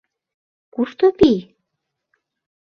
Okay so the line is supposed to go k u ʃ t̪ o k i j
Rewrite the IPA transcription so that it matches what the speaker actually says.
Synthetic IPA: k u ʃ t̪ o p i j